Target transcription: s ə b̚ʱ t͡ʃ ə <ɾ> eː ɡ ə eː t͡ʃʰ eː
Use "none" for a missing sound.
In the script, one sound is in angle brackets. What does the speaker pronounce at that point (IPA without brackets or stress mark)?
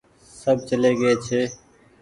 l